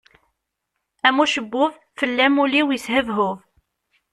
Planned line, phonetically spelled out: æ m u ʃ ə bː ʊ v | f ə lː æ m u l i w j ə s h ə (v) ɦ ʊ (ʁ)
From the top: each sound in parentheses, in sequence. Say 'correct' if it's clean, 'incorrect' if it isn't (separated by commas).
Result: correct, incorrect